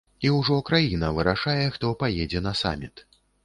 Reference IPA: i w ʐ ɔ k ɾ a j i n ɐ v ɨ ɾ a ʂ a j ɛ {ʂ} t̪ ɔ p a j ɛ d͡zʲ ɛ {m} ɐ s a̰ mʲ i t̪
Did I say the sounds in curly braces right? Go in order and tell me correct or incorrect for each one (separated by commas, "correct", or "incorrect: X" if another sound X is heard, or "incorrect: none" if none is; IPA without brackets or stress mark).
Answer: incorrect: x, incorrect: n